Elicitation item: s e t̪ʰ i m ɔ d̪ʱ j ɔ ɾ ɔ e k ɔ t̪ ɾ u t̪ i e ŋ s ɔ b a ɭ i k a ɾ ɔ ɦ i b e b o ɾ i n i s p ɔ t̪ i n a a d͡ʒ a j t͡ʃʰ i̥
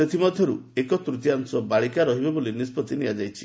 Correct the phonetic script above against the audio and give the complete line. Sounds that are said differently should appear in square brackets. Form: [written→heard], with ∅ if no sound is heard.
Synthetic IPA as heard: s e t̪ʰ i m ɔ d̪ʱ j ɔ ɾ [ɔ→u] e k ɔ t̪ ɾ u t̪ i [e→a] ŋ s ɔ b a ɭ i k a ɾ ɔ ɦ i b e b o [ɾ→l] i n i s p ɔ t̪ i n [a→i] a d͡ʒ a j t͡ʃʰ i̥